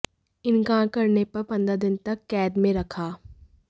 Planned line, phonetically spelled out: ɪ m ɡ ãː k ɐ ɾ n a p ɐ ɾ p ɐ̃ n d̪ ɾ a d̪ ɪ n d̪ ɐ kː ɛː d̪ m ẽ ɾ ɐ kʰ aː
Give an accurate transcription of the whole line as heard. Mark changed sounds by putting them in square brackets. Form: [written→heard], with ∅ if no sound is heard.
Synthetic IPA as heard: ɪ [m→n] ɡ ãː k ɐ ɾ n [a→e] p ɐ ɾ p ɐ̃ n d̪ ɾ a d̪ ɪ n [d̪→t̪] ɐ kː ɛː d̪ m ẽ ɾ ɐ kʰ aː